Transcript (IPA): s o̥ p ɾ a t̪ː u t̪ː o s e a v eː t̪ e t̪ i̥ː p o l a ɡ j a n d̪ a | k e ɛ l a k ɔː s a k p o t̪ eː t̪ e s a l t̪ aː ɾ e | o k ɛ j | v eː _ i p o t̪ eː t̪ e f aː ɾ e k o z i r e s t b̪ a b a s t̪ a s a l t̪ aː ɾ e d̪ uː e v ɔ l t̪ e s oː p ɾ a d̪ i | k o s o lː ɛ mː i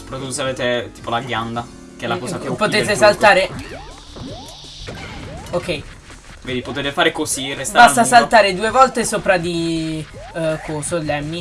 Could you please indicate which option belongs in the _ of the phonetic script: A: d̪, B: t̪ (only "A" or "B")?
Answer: A